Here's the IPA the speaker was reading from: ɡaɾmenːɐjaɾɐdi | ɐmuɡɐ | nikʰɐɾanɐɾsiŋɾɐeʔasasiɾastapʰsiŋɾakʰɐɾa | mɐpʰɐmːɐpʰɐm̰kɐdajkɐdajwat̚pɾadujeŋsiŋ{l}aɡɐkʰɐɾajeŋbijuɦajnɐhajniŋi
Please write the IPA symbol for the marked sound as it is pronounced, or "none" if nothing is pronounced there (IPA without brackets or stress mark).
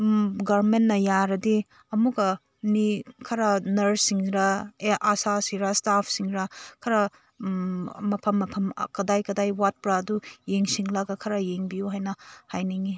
l